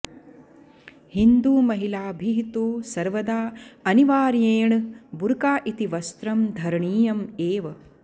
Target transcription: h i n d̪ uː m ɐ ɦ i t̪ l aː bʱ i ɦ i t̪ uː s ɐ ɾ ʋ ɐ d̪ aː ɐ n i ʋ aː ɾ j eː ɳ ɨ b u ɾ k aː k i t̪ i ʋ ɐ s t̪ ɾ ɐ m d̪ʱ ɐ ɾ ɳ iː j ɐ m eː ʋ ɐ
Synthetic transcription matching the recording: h i n d̪ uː m ɐ ɦ i l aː bʱ i ɦ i t̪ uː s ɐ ɾ ʋ ɐ d̪ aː ɐ n i ʋ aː ɾ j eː ɳ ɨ b u ɾ k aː ʔ i t̪ i ʋ ɐ s t̪ ɾ ɐ m d̪ʱ ɐ ɾ ɳ iː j ɐ m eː ʋ ɐ